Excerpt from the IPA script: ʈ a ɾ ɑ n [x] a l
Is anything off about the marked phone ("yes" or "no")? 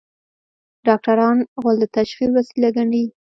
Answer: yes